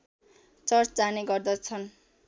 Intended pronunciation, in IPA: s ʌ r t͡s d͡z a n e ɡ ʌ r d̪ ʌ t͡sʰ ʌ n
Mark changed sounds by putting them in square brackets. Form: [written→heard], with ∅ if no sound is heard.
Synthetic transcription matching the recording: [s→t͡s] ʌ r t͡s d͡z a n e ɡ ʌ r d̪ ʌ t͡sʰ ʌ n